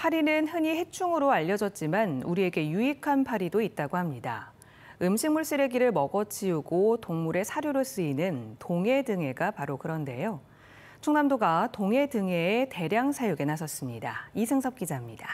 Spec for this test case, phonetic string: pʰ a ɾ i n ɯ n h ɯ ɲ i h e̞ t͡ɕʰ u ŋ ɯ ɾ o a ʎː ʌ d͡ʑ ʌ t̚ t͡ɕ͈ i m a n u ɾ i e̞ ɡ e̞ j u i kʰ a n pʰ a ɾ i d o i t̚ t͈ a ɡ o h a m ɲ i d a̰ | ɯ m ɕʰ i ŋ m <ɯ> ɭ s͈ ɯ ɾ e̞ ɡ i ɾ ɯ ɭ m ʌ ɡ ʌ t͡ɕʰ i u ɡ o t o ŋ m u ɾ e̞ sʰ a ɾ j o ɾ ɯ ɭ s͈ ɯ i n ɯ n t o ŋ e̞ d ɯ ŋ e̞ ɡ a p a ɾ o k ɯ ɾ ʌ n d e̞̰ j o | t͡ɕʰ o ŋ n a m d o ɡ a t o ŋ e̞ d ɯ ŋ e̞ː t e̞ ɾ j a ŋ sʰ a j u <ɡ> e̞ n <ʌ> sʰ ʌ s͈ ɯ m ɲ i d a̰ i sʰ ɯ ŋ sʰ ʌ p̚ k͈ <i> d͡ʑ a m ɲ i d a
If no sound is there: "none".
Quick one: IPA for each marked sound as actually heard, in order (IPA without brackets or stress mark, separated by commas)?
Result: u, ɡ, a, i